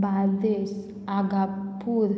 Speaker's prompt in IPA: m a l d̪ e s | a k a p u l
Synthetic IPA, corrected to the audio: b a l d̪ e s | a ɡ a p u ɾ